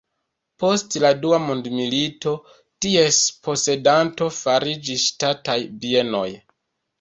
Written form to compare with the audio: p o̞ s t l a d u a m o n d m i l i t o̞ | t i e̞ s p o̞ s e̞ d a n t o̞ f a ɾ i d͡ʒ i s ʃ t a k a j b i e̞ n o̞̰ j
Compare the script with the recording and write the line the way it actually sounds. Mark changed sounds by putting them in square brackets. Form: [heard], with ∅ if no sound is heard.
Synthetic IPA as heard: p o̞ s t l a d u a m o n d m i l i t o̞ | t i e̞ s p o̞ s e̞ d a n t o̞ f a ɾ i d͡ʒ i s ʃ t a [t] a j b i e̞ n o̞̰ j